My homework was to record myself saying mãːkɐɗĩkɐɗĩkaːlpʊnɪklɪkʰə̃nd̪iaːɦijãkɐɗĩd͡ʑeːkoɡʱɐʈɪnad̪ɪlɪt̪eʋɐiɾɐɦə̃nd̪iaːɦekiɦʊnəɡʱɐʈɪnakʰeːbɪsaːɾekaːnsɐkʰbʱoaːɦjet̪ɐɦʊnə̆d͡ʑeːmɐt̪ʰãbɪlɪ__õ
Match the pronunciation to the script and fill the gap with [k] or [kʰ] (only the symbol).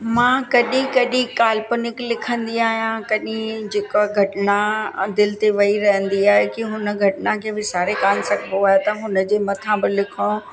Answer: kʰ